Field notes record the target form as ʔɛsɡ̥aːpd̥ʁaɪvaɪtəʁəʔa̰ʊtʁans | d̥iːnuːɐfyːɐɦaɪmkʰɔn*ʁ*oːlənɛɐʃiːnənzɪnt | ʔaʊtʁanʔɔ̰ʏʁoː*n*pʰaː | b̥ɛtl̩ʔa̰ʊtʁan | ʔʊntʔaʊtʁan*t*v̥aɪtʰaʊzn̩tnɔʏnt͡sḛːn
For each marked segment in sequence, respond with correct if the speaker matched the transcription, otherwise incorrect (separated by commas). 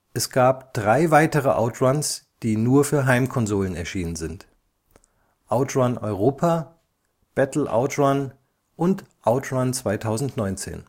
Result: incorrect, incorrect, incorrect